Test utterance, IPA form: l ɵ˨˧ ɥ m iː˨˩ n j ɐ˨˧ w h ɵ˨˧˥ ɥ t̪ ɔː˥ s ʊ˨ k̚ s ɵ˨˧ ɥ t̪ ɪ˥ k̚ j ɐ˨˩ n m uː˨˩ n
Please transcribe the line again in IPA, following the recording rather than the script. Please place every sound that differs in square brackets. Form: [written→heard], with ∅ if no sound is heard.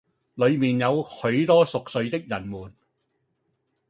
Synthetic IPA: l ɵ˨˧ ɥ m iː˨˩ n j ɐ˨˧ w h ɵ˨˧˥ ɥ t̪ ɔː˥ s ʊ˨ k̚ s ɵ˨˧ ɥ t̪ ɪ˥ k̚ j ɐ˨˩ n m uː˨˩ n

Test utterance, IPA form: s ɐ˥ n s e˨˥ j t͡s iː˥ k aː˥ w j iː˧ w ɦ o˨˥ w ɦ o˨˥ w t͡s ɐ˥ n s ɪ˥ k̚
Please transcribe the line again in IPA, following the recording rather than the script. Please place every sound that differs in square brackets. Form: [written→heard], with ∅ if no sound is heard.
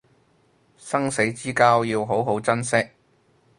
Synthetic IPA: s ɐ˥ [n→ŋ] s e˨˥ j t͡s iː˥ k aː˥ w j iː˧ w ɦ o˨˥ w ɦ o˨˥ w t͡s ɐ˥ n s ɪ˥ k̚

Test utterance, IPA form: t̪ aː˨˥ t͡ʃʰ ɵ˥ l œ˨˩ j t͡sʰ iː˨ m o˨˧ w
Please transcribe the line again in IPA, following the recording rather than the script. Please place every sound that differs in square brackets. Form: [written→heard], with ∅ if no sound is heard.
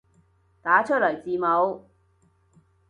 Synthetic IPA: t̪ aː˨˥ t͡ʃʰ ɵ˥ l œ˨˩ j [t͡sʰ→t͡s] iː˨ m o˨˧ w

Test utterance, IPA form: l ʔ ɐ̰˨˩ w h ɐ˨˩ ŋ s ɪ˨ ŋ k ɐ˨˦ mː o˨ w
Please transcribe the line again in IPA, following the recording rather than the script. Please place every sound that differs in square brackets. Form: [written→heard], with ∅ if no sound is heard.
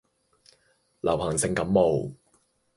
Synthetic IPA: l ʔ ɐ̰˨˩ w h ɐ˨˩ ŋ s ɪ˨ ŋ k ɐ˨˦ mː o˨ w

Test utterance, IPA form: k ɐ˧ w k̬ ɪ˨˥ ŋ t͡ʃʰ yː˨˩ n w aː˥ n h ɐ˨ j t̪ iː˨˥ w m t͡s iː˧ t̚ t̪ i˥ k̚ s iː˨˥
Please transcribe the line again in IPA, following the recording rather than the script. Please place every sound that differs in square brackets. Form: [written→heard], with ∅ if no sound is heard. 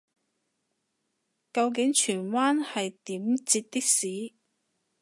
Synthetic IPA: k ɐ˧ w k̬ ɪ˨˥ ŋ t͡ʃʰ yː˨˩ n w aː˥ n h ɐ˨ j t̪ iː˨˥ [w→∅] m t͡s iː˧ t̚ t̪ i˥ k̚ s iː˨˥

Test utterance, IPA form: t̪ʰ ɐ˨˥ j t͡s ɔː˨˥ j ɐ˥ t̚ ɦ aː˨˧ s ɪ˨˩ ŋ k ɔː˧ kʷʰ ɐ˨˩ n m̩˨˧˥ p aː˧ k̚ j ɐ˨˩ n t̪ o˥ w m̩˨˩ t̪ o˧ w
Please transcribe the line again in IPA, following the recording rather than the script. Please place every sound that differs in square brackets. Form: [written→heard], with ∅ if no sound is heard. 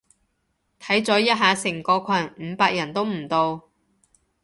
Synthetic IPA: t̪ʰ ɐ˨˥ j t͡s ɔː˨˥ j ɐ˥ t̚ ɦ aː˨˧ s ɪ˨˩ ŋ k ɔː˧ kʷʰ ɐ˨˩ n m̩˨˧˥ p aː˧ k̚ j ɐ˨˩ n t̪ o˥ w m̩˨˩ t̪ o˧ w

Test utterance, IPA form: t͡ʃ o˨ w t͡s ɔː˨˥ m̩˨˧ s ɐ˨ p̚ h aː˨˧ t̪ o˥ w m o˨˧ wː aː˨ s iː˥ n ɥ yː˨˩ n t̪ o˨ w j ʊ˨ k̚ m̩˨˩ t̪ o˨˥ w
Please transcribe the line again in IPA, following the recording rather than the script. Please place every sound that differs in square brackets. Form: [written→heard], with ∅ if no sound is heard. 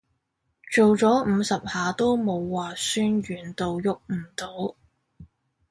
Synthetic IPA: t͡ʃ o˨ w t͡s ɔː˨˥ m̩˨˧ s ɐ˨ p̚ h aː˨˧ t̪ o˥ w m o˨˧ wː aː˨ s [iː˥→yː˥] n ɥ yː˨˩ n t̪ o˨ w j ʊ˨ k̚ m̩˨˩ t̪ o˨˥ w

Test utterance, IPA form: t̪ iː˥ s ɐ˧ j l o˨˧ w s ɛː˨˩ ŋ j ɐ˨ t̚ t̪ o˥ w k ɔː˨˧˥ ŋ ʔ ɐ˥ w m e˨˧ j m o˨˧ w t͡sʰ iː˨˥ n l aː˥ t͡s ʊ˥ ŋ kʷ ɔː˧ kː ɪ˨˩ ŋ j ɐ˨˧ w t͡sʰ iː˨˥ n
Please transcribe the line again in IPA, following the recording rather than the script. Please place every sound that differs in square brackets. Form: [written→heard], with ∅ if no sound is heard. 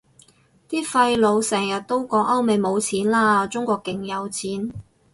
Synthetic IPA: t̪ iː˥ [s→f] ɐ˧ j l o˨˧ w s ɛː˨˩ ŋ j ɐ˨ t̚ t̪ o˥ w k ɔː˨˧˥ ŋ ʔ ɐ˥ w m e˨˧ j m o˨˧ w t͡sʰ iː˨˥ n l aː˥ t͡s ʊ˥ ŋ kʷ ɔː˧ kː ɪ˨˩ ŋ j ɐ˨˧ w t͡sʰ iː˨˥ n

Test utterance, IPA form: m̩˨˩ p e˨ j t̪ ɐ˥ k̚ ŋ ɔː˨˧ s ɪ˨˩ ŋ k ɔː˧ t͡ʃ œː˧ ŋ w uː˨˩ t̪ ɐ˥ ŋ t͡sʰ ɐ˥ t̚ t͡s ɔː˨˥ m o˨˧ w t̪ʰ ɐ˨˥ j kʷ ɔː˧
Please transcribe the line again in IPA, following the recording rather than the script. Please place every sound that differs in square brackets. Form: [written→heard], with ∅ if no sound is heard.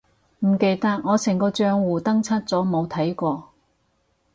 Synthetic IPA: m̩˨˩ [p→k] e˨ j t̪ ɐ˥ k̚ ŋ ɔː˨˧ s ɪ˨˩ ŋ k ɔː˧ t͡ʃ œː˧ ŋ w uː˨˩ t̪ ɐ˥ ŋ t͡sʰ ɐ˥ t̚ t͡s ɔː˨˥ m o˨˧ w t̪ʰ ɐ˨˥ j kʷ ɔː˧

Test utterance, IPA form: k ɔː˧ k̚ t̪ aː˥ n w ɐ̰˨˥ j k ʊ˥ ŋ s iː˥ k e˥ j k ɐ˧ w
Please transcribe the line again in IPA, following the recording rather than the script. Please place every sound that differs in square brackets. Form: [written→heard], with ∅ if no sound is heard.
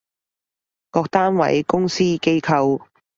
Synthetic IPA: k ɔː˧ k̚ t̪ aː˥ n w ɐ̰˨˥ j k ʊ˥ ŋ s iː˥ k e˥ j [k→kʰ] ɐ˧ w

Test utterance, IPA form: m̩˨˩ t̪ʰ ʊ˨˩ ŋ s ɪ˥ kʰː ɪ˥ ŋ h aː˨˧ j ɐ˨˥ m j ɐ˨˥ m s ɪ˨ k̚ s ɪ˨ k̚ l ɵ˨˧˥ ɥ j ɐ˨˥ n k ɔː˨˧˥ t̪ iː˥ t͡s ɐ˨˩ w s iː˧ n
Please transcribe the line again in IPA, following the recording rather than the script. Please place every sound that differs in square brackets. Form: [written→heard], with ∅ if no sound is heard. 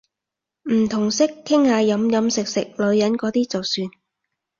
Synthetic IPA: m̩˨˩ t̪ʰ ʊ˨˩ ŋ s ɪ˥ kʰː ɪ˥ ŋ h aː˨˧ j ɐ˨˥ m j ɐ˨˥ m s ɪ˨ k̚ s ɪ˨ k̚ l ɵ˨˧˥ ɥ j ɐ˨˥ n k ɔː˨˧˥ t̪ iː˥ t͡s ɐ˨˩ w s [iː˧→yː˧] n

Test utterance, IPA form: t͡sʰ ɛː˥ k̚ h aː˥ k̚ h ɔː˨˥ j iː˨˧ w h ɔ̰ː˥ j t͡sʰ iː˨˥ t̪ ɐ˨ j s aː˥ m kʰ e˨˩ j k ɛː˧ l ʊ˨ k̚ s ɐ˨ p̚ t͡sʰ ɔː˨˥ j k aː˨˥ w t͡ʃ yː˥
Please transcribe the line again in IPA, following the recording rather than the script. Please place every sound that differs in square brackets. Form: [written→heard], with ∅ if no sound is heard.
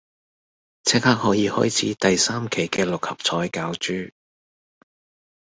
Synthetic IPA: t͡sʰ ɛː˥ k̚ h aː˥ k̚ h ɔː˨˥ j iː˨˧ [w→∅] h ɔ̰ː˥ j t͡sʰ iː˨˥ t̪ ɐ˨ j s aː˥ m kʰ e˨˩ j k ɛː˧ l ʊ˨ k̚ [s→h] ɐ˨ p̚ t͡sʰ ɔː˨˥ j k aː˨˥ w t͡ʃ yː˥

